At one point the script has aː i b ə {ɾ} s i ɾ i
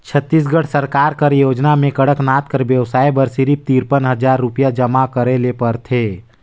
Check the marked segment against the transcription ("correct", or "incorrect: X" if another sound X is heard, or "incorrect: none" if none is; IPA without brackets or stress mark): correct